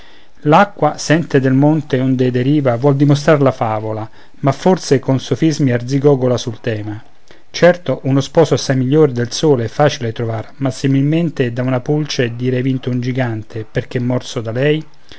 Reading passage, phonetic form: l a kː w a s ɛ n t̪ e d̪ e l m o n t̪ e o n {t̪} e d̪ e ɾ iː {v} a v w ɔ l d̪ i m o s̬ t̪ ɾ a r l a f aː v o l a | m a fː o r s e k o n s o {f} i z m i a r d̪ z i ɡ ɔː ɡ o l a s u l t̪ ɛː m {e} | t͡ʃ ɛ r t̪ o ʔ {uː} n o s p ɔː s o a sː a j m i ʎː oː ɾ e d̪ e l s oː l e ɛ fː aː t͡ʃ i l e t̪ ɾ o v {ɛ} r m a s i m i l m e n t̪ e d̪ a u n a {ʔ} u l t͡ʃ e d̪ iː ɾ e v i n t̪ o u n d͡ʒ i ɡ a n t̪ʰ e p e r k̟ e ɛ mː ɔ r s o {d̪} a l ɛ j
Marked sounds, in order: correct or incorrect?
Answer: incorrect, correct, correct, incorrect, incorrect, incorrect, incorrect, correct

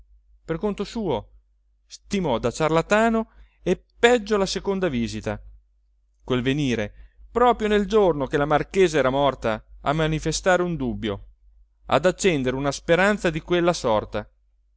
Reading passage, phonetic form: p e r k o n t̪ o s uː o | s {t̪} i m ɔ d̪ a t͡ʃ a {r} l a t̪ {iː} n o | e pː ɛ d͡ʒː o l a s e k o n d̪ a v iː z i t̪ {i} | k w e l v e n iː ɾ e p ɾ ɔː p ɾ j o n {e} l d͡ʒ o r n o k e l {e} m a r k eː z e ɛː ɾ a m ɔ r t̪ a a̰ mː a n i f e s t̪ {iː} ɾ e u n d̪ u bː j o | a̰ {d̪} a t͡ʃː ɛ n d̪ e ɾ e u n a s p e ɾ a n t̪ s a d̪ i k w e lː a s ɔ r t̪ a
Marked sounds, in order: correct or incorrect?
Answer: correct, correct, incorrect, incorrect, correct, incorrect, incorrect, correct

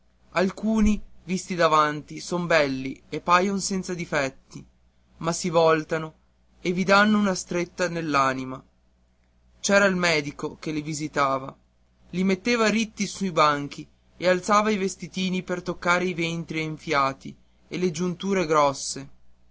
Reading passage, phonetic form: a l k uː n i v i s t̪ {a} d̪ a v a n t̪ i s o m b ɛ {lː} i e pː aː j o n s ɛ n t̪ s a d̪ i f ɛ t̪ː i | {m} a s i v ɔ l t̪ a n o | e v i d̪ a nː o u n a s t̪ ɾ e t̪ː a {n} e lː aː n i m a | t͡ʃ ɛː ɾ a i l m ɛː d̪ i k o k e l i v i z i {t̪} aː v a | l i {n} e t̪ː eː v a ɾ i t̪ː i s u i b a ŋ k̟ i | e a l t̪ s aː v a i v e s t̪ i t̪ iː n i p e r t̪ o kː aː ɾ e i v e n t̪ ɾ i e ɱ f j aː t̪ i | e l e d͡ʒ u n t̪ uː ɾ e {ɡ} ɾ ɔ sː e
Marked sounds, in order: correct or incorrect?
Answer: incorrect, correct, correct, correct, correct, incorrect, correct

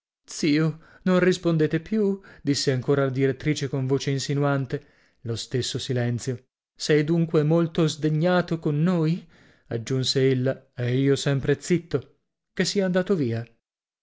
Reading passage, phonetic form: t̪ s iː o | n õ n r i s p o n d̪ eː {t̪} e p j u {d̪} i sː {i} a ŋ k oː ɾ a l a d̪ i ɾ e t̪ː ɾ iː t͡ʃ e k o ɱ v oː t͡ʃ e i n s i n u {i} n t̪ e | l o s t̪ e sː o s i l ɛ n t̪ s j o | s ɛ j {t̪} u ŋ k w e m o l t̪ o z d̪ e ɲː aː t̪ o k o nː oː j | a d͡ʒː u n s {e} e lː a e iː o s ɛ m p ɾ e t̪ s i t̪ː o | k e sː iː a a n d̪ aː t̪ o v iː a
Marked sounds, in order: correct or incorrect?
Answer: correct, correct, incorrect, incorrect, incorrect, correct

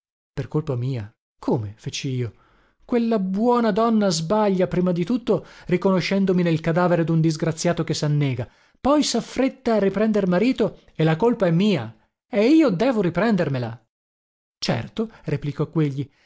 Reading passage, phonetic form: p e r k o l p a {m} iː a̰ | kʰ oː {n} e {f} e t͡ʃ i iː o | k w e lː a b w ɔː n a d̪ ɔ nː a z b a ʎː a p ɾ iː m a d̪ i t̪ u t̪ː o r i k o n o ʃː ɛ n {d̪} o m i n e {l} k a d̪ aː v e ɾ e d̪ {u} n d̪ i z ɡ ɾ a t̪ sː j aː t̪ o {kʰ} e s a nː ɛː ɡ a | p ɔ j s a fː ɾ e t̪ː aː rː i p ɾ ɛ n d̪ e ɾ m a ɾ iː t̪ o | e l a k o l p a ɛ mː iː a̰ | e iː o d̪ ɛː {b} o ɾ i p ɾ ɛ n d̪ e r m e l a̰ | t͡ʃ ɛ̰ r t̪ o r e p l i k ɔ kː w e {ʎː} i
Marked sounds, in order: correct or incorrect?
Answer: correct, incorrect, correct, correct, correct, correct, incorrect, incorrect, correct

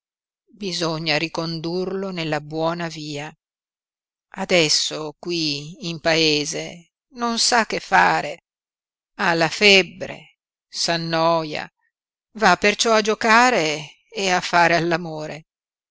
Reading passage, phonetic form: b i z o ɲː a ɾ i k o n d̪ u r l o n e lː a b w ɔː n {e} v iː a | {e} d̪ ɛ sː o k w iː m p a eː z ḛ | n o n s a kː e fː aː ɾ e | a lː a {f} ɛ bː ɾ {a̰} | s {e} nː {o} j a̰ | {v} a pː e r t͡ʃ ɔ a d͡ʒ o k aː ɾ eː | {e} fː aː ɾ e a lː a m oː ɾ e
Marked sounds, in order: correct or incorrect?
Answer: incorrect, incorrect, correct, incorrect, incorrect, incorrect, correct, incorrect

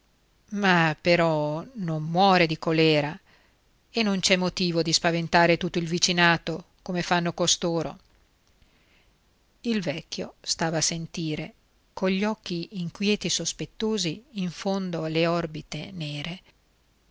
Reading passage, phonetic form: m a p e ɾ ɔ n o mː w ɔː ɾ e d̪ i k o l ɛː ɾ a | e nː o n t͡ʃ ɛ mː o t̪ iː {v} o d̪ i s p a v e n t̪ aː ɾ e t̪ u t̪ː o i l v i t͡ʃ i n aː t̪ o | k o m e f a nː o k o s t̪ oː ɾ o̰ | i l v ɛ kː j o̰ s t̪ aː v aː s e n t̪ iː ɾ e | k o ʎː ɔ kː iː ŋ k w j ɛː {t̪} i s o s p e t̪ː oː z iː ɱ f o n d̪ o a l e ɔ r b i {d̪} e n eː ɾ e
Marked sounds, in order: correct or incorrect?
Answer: correct, correct, incorrect

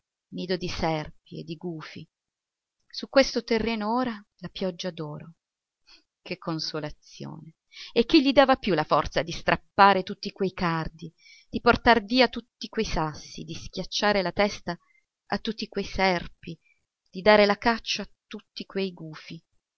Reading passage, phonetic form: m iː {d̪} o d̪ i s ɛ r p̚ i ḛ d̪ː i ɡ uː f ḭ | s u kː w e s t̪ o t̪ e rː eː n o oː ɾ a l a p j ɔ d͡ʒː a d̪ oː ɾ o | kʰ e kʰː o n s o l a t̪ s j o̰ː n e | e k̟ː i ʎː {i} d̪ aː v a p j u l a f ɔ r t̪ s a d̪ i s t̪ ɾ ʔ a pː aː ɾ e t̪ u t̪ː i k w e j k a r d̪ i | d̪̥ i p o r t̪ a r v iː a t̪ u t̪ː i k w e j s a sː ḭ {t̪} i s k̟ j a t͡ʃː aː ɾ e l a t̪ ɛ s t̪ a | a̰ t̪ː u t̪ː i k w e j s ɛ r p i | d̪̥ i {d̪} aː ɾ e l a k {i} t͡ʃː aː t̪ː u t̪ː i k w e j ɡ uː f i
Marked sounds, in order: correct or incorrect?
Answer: correct, correct, incorrect, correct, incorrect

